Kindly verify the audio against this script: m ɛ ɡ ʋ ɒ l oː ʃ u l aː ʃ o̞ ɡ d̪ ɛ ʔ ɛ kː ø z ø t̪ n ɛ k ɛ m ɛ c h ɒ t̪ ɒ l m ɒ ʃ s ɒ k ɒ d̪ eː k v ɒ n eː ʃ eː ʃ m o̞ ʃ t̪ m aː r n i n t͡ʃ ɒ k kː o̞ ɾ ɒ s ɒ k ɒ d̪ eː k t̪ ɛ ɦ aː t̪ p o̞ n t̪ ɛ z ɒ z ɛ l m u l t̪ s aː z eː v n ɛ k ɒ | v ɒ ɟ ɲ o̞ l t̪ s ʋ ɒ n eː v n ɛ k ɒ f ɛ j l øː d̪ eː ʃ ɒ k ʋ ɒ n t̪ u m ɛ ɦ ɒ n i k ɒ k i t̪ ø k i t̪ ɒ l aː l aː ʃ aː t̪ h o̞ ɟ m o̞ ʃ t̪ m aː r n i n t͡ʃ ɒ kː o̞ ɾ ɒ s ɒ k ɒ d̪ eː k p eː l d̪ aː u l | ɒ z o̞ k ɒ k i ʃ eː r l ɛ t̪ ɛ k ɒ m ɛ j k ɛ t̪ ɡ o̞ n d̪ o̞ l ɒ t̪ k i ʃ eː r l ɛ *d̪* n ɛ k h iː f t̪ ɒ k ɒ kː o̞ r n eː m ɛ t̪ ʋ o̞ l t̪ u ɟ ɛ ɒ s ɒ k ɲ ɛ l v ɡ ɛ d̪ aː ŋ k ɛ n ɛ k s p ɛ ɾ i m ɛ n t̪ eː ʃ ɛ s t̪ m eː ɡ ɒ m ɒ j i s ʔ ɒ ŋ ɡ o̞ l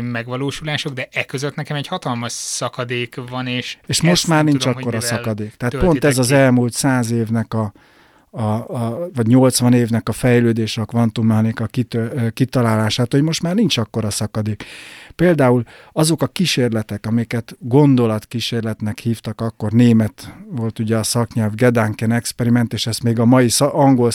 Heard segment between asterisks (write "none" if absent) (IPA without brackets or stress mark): t̪